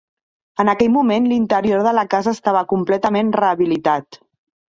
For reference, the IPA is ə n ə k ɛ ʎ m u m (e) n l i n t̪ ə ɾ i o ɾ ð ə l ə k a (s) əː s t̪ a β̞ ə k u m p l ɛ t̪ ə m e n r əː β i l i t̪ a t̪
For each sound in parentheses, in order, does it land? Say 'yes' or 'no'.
yes, no

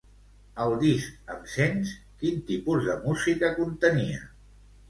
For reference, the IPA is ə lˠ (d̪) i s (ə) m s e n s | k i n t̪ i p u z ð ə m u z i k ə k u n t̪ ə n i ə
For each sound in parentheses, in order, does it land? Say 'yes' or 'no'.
yes, yes

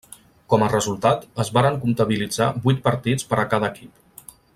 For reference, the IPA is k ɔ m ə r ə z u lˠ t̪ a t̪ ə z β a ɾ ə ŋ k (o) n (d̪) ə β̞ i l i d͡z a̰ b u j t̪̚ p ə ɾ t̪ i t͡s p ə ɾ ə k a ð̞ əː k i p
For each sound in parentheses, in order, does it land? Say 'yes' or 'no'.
no, no

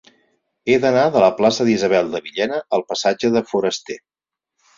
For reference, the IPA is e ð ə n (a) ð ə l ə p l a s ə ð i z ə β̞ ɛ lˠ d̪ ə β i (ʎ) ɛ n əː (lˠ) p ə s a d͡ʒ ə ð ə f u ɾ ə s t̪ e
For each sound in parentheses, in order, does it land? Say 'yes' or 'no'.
yes, yes, yes

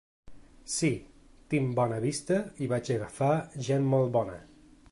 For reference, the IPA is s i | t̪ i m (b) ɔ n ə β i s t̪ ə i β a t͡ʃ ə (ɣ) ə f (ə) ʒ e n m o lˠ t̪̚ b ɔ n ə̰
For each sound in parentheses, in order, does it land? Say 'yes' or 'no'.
yes, yes, no

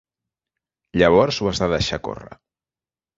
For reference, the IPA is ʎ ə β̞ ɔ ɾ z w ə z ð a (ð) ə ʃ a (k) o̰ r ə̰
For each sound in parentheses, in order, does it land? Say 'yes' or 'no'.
yes, yes

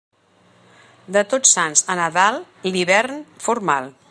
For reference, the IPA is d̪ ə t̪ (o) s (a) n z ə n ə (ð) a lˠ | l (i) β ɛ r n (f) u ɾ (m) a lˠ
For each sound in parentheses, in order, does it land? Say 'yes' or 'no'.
yes, yes, yes, yes, yes, yes

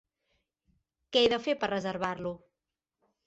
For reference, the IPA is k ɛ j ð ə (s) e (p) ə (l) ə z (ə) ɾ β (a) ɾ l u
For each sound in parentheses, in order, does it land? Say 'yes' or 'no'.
no, yes, no, yes, yes

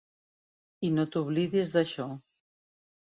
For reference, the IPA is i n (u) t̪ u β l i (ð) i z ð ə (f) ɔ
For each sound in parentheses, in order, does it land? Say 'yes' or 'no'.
no, yes, no

